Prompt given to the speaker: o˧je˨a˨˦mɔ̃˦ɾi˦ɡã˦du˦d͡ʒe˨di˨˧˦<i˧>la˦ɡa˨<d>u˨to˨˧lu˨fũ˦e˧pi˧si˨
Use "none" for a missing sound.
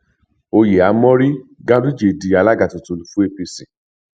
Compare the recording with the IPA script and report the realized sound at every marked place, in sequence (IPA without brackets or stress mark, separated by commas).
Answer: a˧, t